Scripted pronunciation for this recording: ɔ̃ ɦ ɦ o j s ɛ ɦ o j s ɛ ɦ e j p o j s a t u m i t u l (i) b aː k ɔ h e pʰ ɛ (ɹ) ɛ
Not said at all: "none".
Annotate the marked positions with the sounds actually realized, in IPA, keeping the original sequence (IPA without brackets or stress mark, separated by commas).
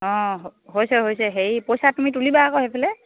i, l